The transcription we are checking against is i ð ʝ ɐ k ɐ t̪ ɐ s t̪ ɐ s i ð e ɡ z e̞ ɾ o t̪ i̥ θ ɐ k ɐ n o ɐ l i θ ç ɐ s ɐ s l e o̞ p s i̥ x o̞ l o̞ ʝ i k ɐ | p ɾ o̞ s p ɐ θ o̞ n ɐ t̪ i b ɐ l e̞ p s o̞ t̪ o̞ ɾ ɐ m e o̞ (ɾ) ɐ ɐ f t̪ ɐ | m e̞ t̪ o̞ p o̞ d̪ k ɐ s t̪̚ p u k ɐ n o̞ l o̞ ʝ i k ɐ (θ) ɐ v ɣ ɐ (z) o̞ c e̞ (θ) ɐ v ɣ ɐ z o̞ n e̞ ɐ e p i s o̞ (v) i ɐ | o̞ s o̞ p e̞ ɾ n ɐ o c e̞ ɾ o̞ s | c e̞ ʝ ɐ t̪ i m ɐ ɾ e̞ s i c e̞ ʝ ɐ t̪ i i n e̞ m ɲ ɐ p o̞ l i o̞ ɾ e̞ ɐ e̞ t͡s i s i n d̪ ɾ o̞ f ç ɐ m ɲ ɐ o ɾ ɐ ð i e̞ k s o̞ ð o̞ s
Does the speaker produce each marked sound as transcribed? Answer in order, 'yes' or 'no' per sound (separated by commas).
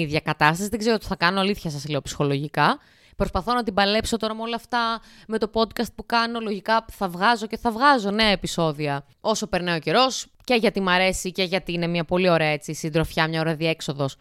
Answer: no, yes, yes, yes, no